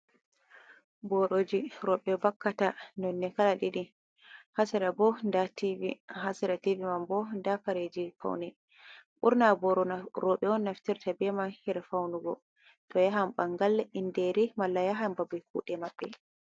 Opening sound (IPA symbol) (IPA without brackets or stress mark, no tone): b